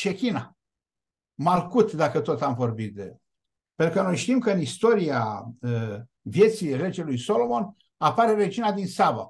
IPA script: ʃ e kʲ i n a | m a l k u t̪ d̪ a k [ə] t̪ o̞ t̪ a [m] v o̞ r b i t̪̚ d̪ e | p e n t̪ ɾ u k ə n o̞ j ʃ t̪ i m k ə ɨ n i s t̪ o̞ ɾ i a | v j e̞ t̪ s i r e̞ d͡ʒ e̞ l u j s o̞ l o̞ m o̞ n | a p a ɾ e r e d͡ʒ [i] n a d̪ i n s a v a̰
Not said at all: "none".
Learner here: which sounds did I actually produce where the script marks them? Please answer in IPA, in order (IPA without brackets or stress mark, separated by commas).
ə, m, i